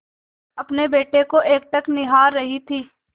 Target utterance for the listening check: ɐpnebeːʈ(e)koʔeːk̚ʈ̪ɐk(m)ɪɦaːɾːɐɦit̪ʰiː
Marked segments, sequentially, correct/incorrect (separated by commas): correct, incorrect